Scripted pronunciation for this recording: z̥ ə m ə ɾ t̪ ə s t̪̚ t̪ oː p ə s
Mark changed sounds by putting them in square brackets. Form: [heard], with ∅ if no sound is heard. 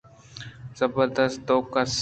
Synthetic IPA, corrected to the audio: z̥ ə [b] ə ɾ [d̪] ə s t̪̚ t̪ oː [k] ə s